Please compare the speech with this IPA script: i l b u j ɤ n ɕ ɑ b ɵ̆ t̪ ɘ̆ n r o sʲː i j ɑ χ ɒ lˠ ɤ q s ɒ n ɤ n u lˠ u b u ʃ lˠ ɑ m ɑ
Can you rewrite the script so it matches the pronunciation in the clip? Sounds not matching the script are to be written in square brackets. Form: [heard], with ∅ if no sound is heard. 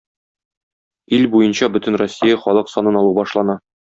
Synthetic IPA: i l b u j ɤ n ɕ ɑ b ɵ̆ t̪ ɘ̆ n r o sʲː i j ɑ χ ɒ lˠ ɤ q s ɒ n ɤ n [ɒ] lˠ u b [ɒ] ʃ lˠ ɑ [n] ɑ